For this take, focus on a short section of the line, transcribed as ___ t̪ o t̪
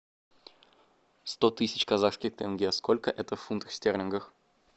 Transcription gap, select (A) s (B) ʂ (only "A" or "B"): A